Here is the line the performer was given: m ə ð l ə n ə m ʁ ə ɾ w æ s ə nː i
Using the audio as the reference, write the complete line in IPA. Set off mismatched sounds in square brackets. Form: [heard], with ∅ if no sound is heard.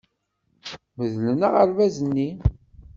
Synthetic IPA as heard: m ə ð l ə n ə [∅] ʁ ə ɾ [v] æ [z] ə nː i